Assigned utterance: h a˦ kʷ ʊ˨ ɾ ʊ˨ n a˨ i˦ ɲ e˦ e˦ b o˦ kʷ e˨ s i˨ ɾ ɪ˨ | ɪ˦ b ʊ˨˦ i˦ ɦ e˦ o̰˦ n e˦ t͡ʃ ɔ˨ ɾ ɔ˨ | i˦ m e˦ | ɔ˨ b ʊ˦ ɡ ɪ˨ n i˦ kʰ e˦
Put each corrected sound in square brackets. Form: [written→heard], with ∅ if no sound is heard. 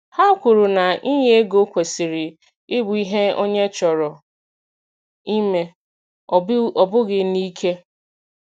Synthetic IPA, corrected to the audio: h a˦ kʷ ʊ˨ ɾ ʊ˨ n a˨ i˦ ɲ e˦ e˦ [b→ɡ] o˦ kʷ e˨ s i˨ ɾ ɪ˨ | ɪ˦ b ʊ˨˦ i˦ ɦ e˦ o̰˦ [n→ɲ] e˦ t͡ʃ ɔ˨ ɾ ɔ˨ | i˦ m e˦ | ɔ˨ b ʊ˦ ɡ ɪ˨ n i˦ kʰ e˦